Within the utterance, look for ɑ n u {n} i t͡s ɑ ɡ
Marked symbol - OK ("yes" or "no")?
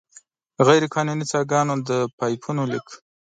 yes